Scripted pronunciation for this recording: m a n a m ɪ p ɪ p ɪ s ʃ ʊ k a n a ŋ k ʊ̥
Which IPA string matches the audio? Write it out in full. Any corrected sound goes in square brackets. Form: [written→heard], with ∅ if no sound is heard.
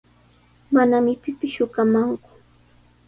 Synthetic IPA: m a n a m ɪ p ɪ p ɪ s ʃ ʊ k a [n→m] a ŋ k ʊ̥